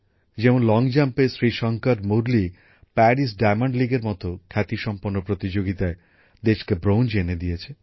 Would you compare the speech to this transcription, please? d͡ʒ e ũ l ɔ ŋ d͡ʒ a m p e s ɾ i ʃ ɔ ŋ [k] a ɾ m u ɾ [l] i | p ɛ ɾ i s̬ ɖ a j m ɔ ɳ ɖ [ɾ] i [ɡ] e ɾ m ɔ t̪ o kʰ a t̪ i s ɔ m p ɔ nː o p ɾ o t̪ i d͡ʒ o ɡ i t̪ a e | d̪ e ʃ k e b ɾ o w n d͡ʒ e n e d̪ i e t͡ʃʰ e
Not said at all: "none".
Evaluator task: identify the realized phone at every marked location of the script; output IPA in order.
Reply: k, l, l, ɡ

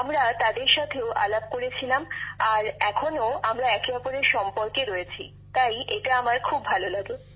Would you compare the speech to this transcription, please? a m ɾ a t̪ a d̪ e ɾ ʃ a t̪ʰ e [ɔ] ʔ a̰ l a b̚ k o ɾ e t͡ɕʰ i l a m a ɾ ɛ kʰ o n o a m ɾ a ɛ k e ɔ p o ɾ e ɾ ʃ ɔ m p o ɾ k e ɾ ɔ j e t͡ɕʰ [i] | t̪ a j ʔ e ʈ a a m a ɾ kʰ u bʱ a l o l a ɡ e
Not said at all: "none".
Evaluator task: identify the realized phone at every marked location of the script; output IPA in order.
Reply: o, i

